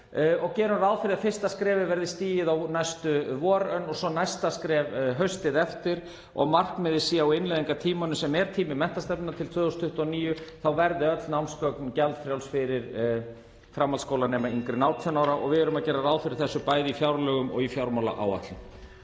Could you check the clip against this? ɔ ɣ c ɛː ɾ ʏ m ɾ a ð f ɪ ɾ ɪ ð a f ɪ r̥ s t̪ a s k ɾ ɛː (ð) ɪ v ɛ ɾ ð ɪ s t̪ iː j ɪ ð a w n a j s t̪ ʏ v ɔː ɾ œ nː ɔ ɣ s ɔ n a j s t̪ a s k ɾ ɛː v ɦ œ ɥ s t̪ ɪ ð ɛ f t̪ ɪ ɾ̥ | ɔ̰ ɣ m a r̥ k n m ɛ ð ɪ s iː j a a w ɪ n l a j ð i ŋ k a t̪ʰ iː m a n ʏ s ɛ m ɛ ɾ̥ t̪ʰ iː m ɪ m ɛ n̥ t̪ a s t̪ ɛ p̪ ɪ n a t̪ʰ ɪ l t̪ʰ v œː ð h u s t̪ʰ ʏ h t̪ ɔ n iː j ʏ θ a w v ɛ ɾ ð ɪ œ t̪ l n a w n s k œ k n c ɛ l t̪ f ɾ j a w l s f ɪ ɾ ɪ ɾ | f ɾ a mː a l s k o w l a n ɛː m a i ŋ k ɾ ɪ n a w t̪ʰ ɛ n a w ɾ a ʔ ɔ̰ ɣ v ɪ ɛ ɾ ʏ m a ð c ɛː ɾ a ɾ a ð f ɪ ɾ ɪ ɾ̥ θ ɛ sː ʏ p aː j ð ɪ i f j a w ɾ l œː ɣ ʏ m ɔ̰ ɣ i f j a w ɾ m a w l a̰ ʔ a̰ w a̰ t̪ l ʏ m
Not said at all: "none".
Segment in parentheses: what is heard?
v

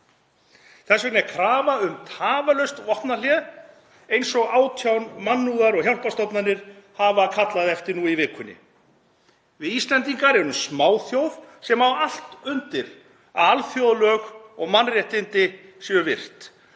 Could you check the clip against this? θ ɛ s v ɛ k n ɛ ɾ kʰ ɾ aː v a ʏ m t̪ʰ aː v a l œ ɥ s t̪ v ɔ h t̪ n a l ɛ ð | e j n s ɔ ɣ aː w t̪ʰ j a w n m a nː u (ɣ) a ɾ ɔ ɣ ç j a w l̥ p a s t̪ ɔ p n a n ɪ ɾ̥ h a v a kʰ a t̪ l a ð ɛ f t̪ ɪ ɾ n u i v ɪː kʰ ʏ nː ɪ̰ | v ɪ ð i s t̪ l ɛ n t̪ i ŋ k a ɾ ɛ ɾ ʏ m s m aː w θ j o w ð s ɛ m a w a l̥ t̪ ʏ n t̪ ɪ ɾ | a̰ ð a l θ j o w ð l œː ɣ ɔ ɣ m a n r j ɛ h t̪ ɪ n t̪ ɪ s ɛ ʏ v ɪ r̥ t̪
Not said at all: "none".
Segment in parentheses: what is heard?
ɣ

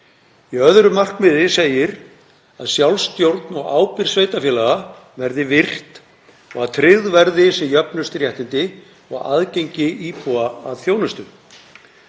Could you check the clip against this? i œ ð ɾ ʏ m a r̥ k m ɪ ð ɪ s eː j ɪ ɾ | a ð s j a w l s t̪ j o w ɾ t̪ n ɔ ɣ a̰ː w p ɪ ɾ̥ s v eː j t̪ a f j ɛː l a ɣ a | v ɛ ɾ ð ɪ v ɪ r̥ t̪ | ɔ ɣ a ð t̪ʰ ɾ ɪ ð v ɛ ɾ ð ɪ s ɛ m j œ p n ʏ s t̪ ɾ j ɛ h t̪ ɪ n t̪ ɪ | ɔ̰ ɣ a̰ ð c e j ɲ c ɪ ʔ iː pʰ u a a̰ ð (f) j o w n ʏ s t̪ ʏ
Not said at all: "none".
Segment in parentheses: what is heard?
θ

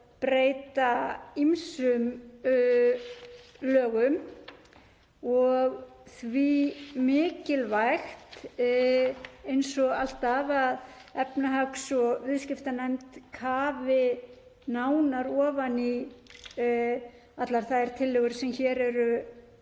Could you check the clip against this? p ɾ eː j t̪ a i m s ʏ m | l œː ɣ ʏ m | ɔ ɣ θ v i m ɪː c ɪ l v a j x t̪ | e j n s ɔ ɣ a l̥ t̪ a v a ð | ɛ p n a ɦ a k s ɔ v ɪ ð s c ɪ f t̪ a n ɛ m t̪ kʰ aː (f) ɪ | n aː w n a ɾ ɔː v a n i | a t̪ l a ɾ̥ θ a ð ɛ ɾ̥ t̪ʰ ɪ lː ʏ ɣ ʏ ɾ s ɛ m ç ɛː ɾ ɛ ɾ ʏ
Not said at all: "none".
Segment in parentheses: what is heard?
v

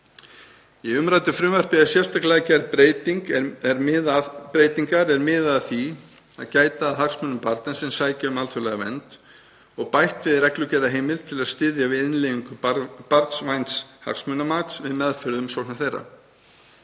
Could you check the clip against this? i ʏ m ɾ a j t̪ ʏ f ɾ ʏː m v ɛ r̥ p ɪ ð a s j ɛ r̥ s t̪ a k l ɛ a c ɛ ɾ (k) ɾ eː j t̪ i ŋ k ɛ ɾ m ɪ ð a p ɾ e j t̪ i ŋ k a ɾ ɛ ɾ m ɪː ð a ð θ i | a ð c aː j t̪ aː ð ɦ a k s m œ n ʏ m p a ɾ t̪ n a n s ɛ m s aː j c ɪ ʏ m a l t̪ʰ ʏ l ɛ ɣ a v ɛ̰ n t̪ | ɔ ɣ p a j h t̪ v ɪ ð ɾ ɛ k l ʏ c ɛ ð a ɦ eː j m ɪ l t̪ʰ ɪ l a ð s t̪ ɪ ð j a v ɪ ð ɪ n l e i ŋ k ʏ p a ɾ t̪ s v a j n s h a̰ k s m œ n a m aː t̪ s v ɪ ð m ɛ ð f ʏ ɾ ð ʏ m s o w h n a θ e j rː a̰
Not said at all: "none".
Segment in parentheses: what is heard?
p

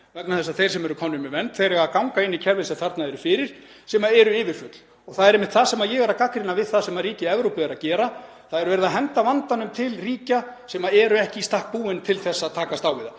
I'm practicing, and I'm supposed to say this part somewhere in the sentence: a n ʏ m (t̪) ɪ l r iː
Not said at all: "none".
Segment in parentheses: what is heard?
t̪ʰ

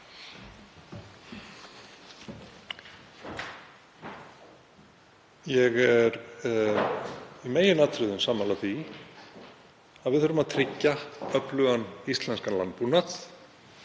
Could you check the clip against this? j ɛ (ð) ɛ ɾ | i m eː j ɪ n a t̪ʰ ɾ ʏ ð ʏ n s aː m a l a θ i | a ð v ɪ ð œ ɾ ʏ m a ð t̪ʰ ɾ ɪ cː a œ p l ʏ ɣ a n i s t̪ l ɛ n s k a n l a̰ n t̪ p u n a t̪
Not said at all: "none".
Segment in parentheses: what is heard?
ɣ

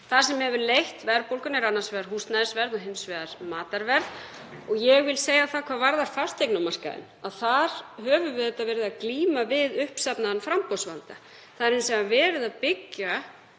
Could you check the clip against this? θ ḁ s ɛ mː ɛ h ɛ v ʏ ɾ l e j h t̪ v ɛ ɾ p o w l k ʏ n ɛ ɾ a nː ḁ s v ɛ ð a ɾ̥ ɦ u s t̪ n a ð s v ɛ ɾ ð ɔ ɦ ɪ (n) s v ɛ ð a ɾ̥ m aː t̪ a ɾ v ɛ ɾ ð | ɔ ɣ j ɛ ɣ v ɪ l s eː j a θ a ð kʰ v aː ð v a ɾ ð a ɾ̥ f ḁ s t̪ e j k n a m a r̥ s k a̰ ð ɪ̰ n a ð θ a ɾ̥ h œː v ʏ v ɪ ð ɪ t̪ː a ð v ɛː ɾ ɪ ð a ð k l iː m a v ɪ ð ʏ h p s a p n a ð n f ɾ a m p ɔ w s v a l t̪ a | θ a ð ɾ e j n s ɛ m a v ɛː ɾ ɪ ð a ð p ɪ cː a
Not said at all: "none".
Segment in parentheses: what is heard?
m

